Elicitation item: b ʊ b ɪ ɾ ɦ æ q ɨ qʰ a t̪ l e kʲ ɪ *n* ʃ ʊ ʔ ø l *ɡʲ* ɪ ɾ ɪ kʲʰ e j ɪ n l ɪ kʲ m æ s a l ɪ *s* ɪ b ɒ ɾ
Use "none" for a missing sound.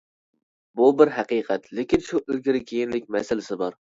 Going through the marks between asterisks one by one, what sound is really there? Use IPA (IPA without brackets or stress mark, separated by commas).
n, ɡʲ, s